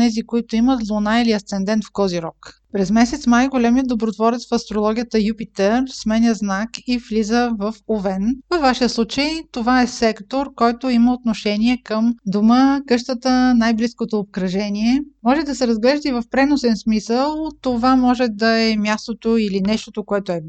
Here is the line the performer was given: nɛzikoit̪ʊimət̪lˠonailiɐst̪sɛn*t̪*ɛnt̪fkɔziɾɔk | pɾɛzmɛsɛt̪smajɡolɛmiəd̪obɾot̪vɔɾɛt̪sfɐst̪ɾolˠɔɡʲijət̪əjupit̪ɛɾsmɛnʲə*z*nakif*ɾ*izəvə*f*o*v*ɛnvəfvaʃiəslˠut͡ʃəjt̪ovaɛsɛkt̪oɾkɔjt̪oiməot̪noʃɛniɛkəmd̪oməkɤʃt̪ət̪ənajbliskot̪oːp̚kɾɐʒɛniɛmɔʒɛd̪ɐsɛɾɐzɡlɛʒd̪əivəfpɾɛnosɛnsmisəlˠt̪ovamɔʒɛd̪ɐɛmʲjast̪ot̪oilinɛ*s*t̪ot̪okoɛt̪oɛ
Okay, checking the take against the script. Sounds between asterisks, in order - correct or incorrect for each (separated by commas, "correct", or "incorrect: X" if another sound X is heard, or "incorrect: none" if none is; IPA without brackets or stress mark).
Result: incorrect: d̪, correct, incorrect: l, correct, correct, incorrect: ʃ